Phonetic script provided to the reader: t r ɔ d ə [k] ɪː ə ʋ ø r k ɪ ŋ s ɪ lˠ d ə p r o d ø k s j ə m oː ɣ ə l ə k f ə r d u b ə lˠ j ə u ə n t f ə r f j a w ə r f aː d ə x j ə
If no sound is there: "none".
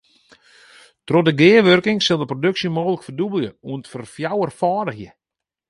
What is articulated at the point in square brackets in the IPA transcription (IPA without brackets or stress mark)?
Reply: ɡ